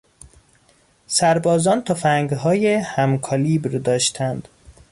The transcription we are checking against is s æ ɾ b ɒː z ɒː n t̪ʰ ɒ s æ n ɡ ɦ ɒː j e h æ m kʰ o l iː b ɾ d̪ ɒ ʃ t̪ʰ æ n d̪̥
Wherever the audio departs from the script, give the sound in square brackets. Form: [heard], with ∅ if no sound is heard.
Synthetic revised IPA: s æ ɾ b ɒː z ɒː n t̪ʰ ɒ [f] æ [ŋ] ɡ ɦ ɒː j e h æ m kʰ [ɒ] l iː b ɾ d̪ [ɒː] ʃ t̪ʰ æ n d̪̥